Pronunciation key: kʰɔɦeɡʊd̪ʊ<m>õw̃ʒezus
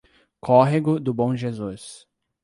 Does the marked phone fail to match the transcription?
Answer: yes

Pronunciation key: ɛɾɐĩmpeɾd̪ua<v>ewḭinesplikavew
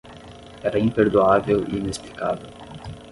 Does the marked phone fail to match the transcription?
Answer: no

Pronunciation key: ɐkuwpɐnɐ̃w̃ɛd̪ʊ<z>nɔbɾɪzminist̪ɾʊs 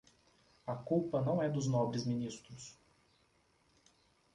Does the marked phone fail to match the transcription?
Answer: no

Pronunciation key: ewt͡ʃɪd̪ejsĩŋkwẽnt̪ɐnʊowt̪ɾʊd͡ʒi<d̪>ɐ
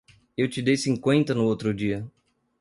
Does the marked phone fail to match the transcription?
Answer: yes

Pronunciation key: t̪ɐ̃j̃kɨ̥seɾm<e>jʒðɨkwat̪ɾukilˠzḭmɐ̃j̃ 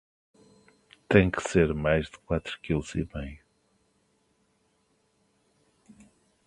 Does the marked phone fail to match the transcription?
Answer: yes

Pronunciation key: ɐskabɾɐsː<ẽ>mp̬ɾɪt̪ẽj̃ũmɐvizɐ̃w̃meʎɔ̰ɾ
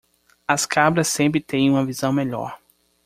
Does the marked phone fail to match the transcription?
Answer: no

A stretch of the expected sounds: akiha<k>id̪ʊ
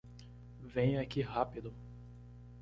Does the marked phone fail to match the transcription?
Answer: yes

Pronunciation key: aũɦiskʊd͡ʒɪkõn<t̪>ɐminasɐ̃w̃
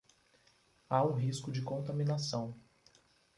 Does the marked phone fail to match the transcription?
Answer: no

